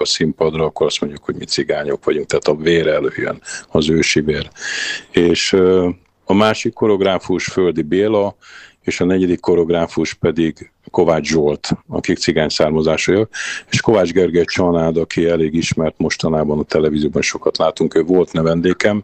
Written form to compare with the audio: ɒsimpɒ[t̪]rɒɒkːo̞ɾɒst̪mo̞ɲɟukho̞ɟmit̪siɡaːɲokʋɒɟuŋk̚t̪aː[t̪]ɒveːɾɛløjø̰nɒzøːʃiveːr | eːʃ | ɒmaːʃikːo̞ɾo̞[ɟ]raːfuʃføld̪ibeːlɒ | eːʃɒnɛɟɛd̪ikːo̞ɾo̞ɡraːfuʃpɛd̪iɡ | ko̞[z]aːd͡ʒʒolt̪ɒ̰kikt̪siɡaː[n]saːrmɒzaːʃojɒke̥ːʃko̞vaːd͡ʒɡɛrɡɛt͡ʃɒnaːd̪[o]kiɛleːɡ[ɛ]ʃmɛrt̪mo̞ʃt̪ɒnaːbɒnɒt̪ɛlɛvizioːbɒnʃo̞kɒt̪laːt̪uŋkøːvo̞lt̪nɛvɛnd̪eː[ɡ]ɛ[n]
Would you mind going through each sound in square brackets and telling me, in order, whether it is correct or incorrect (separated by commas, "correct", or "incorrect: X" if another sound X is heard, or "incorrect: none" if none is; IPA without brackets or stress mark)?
incorrect: d̪, correct, incorrect: ɡ, incorrect: v, incorrect: ɲ, incorrect: ɒ, incorrect: i, incorrect: k, incorrect: m